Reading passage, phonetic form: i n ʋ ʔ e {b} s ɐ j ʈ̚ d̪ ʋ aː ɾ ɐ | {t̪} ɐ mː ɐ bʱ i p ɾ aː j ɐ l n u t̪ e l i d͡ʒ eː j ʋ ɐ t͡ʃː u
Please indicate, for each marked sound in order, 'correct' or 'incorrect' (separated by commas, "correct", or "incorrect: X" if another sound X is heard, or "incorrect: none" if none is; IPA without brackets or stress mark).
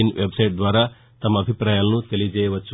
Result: correct, correct